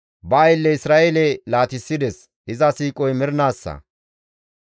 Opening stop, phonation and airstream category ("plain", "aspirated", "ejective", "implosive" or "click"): plain